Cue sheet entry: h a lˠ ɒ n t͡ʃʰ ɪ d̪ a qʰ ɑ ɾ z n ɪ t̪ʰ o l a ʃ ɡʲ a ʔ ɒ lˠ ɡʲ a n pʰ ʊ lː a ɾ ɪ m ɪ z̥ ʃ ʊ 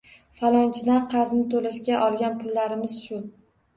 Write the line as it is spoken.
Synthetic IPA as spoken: f a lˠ ɒ n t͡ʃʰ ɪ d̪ a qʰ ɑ ɾ z n ɪ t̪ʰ o l a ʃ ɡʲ a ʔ ɒ lˠ ɡʲ a n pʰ ʊ lː a ɾ ɪ m ɪ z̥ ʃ ʊ

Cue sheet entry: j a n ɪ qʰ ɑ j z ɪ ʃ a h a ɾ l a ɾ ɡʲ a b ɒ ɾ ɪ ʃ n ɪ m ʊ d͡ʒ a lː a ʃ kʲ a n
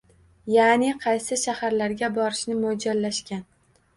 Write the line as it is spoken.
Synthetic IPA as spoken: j a n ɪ qʰ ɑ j s ɪ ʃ a h a ɾ l a ɾ ɡʲ a b ɒ ɾ ɪ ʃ n ɪ m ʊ d͡ʒ a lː a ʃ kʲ a n

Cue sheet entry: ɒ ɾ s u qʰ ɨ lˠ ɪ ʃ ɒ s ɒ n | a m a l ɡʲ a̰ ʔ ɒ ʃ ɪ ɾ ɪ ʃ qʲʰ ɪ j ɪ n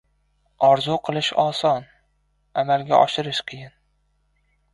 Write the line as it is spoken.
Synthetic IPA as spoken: ɒ ɾ z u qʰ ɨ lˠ ɪ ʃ ɒ s ɒ n | a m a l ɡʲ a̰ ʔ ɒ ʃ ɪ ɾ ɪ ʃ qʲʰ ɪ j ɪ n

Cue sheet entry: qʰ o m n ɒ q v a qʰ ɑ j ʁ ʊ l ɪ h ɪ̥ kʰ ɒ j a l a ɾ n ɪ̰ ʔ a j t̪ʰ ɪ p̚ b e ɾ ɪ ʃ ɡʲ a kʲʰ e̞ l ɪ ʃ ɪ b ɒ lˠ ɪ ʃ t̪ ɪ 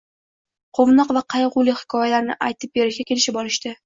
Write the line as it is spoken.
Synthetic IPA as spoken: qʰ o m n ɒ q v a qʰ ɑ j ʁ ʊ l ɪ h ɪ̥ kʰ ɒ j a l a ɾ n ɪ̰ ʔ a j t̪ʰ ɪ p̚ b e ɾ ɪ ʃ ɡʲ a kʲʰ e̞ l ɪ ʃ ɪ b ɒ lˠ ɪ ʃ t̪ ɪ

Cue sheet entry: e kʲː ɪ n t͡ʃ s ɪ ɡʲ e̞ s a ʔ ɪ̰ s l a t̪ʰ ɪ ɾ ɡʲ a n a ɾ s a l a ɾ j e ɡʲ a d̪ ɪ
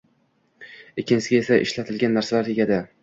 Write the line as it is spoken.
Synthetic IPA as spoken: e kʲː ɪ n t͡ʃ s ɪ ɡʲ e̞ s a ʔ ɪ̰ ʃ l a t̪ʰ ɪ l ɡʲ a nː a ɾ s a l a ɾ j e ɡʲ a d̪ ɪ

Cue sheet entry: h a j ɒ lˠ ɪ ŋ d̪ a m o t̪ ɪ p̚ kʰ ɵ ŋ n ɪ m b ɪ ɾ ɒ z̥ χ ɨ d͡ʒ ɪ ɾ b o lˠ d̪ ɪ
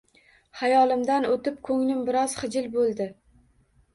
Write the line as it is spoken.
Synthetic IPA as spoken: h a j ɒ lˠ ɪ m d̪ a n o t̪ ɪ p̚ kʰ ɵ ŋ n ɪ m b ɪ ɾ ɒ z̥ χ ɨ d͡ʒ ɪ l b o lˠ d̪ ɪ

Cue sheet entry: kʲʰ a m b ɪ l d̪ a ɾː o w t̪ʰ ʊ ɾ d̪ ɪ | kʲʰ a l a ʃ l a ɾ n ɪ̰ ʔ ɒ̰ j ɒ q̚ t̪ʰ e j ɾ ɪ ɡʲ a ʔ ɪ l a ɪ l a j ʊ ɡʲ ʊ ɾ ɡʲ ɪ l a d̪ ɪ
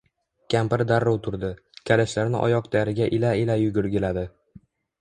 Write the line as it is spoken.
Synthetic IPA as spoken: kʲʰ a m p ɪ ɾ d̪ a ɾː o w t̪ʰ ʊ ɾ d̪ ɪ | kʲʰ a l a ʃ l a ɾ n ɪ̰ ʔ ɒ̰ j ɒ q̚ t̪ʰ a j ɾ ɪ ɡʲ a ʔ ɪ l a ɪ l a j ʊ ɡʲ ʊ ɾ ɡʲ ɪ l a d̪ ɪ

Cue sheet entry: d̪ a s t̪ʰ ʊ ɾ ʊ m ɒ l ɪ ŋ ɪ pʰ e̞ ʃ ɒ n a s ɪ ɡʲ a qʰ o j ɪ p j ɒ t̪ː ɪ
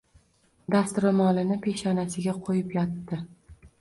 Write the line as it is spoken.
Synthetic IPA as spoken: d̪ a s t̪ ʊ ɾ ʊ m ɒ l ɪ n ɪ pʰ e̞ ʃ ɒ n a s ɪ ɡʲ a qʰ o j ɪ p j ɒ t̪ː ɪ

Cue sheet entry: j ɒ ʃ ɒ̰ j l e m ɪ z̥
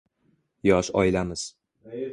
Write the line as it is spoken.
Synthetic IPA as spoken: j ɒ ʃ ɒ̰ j l a m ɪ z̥

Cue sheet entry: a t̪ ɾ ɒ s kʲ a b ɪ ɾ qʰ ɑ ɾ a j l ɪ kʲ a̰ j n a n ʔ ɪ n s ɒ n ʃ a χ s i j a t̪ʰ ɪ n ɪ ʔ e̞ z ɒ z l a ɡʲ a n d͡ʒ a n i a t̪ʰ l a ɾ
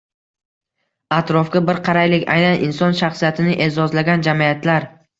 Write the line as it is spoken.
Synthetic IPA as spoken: a t̪ ɾ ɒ f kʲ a b ɪ ɾ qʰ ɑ ɾ a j l ɪ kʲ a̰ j n a n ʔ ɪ n s ɒ n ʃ a χ s i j a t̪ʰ ɪ n ɪ ʔ e̞ z ɒ z l a ɡʲ a n d͡ʒ a m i a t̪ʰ l a ɾ

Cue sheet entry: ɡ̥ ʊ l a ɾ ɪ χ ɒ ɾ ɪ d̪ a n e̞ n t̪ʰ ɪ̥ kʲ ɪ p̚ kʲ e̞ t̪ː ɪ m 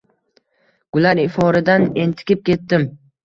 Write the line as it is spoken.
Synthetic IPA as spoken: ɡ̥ ʊ l a ɾ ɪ f ɒ ɾ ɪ d̪ a n e̞ n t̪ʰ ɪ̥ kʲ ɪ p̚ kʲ e̞ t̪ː ɪ m

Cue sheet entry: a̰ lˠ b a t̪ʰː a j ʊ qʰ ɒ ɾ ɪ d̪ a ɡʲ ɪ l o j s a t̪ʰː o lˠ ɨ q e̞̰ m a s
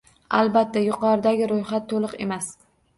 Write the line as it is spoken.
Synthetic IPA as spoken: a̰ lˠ b a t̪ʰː a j ʊ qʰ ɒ ɾ ɪ d̪ a ɡʲ ɪ ɾ o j χ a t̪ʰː o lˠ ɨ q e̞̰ m a s

